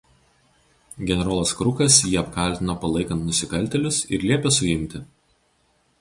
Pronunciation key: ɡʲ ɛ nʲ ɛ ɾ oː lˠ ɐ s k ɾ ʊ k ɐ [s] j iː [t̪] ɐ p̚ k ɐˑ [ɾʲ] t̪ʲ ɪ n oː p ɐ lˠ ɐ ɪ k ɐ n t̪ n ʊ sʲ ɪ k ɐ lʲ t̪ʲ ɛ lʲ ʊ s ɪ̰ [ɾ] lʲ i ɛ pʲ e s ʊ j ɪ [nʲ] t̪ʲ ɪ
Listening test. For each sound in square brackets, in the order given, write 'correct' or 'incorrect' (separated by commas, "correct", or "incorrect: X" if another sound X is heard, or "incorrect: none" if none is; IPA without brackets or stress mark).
correct, incorrect: none, incorrect: lʲ, correct, incorrect: mʲ